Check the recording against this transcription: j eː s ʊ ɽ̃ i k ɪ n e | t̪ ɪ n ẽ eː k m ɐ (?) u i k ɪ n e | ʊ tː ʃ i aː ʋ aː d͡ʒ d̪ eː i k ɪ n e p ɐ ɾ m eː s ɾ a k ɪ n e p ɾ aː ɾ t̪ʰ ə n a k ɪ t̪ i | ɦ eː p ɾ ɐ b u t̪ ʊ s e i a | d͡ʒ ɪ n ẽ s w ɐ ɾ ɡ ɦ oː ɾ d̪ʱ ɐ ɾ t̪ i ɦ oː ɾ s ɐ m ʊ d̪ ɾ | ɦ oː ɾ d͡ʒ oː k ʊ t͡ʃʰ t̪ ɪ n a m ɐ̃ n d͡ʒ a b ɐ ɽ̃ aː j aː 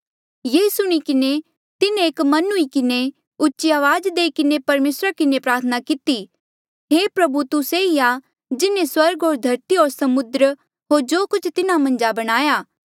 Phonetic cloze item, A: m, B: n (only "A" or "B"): B